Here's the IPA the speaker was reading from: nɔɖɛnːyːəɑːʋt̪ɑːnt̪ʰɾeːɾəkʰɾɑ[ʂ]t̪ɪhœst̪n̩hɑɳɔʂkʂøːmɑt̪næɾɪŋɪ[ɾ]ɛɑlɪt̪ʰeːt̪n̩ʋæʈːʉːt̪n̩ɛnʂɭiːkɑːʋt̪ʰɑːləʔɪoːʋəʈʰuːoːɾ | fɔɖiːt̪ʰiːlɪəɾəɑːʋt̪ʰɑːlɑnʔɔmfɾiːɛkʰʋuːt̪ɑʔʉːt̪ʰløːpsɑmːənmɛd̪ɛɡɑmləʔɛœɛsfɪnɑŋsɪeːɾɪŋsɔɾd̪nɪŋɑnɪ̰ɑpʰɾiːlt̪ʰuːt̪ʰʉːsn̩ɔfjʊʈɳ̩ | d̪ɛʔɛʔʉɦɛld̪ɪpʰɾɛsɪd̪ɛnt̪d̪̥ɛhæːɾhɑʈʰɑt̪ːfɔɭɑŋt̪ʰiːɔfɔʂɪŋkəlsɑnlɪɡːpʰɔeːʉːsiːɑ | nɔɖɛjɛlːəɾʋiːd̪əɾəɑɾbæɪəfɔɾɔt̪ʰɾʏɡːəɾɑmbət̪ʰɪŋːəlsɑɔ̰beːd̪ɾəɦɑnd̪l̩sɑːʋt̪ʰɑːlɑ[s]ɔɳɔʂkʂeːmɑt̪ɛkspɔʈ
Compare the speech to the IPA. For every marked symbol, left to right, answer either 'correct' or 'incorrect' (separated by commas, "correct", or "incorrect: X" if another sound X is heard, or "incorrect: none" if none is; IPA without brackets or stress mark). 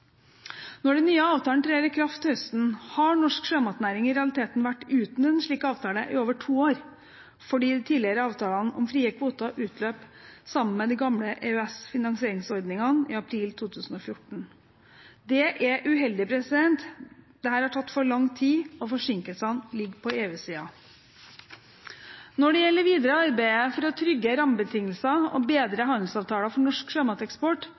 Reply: incorrect: f, correct, incorrect: f